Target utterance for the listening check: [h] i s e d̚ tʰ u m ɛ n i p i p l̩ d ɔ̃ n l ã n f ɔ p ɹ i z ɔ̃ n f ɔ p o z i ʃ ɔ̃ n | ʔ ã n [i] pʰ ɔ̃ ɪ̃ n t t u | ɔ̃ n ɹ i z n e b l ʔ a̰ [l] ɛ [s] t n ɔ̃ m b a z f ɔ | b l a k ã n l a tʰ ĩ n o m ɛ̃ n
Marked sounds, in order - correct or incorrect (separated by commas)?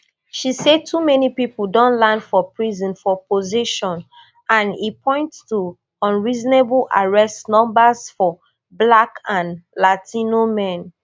incorrect, correct, incorrect, correct